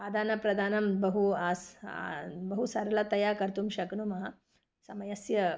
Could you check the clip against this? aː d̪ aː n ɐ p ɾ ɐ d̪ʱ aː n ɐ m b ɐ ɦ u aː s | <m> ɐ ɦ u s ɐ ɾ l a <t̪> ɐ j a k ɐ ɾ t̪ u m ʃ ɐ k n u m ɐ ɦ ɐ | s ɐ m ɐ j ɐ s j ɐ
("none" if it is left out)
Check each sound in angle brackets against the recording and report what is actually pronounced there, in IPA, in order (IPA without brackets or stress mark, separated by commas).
b, t̪